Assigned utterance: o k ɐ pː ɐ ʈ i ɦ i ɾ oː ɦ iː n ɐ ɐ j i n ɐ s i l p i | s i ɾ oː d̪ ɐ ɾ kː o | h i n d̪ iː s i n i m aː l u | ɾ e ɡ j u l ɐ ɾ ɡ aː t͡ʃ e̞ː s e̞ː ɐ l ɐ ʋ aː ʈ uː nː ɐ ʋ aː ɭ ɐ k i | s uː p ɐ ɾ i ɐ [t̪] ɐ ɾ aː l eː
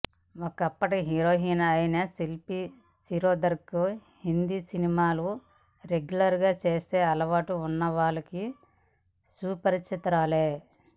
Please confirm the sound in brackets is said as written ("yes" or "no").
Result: yes